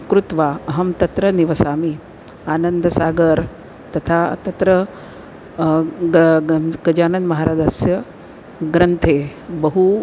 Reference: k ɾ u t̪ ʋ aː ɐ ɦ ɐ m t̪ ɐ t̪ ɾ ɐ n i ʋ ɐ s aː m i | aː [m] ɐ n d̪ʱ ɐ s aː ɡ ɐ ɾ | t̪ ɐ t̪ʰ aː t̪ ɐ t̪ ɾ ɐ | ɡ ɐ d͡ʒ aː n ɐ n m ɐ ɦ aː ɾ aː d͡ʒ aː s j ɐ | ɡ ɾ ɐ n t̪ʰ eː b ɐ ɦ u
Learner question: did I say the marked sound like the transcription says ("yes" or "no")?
no